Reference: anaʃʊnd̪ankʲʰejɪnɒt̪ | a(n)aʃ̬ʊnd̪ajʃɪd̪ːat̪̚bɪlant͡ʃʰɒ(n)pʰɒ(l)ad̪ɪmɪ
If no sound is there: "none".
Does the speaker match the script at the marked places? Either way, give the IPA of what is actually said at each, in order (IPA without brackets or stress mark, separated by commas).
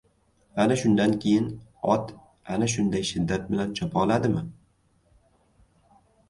n, none, l